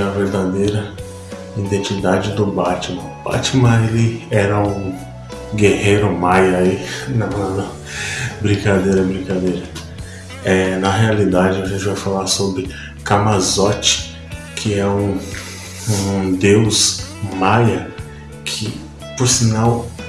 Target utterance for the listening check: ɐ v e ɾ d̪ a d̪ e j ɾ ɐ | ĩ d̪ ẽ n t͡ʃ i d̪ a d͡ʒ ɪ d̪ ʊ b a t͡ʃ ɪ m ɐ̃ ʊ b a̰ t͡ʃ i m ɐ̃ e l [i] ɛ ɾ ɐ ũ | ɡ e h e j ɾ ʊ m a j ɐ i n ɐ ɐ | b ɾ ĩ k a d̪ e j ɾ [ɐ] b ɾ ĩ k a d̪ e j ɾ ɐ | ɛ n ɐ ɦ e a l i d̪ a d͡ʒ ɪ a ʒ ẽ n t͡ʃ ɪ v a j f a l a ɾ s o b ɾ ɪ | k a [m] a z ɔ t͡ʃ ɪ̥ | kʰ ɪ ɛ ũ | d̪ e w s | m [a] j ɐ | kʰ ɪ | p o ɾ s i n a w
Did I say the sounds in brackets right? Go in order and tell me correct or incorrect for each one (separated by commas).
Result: incorrect, correct, correct, correct